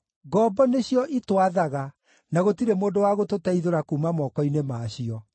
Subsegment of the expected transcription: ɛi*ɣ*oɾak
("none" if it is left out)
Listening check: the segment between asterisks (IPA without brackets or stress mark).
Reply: ð